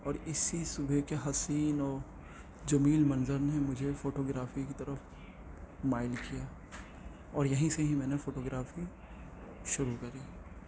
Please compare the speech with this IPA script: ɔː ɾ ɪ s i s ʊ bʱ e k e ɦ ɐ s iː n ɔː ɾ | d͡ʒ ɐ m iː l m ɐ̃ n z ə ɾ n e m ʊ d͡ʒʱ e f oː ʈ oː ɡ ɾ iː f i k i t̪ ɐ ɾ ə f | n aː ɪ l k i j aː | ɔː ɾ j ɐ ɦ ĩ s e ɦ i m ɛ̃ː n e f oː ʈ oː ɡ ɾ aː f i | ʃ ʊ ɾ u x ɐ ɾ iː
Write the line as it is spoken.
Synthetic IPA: ɔː ɾ ɪ s i s ʊ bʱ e k e ɦ ɐ s iː n ɔː ɾ | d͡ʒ ɐ m iː l m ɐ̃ n z ə ɾ n e m ʊ d͡ʒʱ e f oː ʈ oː ɡ ɾ aː f i k i t̪ ɐ ɾ ə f | m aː ɪ l k i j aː | ɔː ɾ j ɐ ɦ ĩ s e ɦ i m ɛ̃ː n e f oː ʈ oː ɡ ɾ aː f i | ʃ ʊ ɾ u k ɐ ɾ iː